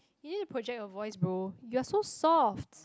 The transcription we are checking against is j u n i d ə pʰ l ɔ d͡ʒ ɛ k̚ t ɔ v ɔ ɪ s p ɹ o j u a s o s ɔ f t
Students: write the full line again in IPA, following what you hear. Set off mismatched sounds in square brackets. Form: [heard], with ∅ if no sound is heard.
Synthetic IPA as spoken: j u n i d ə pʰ [ɹ] ɔ d͡ʒ ɛ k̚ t ɔ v ɔ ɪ s [b] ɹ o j u a s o s ɔ f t